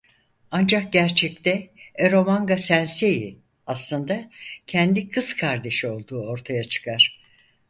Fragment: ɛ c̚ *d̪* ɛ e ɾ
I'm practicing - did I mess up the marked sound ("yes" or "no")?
yes